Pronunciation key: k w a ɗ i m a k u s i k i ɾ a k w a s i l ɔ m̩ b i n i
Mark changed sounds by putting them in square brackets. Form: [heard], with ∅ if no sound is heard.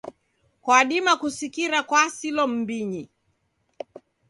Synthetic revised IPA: k w a ɗ i m a k u s i k i ɾ a k w a s i l ɔ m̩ b i [ɲ] i